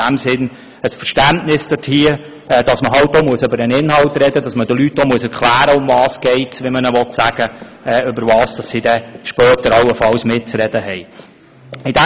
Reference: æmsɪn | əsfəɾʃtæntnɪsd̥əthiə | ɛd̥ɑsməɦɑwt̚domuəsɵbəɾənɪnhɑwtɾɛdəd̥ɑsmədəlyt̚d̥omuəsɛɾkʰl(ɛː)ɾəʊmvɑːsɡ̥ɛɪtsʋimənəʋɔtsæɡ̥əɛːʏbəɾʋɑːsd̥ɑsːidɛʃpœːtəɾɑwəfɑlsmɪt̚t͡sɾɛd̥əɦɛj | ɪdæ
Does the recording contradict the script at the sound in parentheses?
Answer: yes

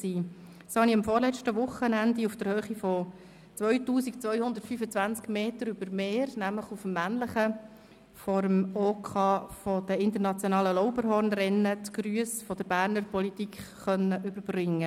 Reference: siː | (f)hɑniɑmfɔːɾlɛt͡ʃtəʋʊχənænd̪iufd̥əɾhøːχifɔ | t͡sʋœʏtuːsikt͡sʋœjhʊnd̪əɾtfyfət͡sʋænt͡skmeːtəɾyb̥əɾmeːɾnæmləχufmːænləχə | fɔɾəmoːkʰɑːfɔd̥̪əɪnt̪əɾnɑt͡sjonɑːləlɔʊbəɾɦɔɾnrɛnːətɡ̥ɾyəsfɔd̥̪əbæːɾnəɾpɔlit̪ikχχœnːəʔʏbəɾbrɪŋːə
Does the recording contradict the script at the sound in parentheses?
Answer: yes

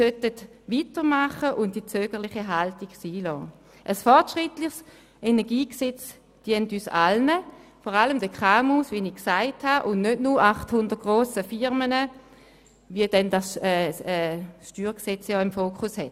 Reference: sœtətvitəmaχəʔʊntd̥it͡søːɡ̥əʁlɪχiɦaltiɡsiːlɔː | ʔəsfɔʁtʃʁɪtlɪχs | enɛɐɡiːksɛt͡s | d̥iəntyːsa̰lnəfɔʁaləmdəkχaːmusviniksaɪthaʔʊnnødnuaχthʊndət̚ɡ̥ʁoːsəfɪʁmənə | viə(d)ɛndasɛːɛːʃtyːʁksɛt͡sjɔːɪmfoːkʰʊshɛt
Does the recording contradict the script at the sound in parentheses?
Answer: no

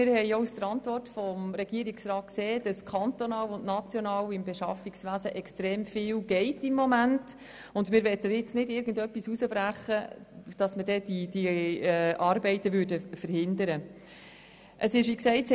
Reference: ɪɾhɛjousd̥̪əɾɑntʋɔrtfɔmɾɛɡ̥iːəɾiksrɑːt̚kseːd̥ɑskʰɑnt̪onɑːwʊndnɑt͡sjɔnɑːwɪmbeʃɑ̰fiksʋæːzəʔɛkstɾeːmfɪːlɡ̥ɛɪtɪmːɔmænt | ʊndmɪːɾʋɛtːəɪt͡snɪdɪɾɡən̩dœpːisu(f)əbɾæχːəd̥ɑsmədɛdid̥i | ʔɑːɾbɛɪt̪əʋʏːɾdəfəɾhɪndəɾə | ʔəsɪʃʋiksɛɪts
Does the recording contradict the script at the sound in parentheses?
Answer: yes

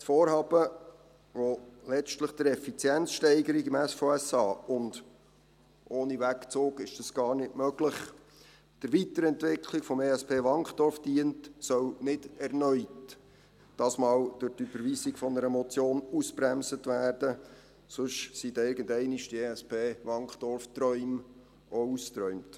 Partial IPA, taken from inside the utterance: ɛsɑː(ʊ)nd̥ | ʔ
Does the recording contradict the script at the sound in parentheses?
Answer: no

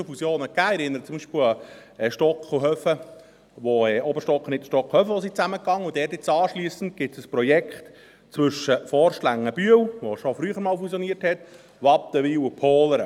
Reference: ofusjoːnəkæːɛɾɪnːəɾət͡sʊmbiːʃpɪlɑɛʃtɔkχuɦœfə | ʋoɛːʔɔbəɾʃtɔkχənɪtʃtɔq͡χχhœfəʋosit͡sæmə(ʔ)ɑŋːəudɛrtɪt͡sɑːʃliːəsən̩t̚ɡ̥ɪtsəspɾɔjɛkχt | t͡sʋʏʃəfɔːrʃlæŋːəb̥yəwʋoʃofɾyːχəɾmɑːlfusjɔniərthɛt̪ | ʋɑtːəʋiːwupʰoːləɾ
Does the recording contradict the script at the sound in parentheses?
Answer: yes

